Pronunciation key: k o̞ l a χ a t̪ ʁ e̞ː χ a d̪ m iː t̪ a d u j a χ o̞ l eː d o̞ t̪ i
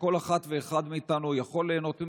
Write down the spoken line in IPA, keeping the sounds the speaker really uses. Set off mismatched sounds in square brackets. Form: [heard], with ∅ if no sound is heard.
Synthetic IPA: k o̞ l a χ a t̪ [v] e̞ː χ a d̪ m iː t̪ a [n] u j a χ o̞ l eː [n] o̞ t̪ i